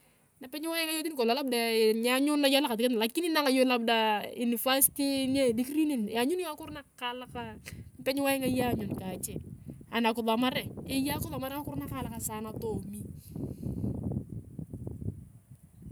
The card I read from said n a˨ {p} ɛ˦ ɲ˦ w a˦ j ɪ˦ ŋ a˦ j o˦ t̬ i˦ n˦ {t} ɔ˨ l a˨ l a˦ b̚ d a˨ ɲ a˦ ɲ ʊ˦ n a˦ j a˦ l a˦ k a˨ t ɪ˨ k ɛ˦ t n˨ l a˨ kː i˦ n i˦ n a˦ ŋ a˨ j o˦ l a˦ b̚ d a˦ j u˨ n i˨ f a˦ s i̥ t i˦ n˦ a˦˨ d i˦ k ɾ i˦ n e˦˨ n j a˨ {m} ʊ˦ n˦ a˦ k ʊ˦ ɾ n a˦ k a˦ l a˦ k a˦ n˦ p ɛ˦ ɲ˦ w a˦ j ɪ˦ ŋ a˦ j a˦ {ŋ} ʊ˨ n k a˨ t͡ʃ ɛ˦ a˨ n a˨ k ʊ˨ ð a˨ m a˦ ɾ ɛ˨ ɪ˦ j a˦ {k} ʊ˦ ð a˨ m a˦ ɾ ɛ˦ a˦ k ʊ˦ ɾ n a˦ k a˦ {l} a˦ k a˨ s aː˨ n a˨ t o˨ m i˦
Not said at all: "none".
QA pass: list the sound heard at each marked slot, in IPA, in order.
p, k, ɲ, ɲ, k, l

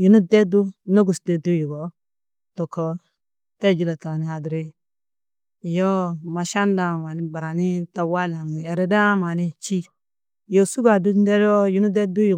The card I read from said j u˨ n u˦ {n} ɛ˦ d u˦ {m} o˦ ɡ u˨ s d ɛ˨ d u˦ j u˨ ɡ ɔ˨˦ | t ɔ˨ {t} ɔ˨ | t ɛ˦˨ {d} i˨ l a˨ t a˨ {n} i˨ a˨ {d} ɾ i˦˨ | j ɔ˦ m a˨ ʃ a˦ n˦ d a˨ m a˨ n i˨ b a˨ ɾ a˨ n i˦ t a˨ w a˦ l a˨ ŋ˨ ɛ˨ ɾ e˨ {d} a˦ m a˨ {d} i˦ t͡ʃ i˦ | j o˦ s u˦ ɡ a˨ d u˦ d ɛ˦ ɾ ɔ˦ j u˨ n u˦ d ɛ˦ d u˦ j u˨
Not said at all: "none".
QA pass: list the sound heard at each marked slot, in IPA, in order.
d, n, k, d͡ʒ, n, d, d, n

